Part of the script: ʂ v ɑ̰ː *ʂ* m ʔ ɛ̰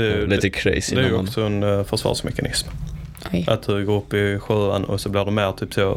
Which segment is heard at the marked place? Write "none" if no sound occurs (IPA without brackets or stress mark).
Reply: ʂ